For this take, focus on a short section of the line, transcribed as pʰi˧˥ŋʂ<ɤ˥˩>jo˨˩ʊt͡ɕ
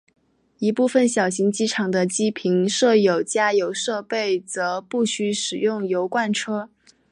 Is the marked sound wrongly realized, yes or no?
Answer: no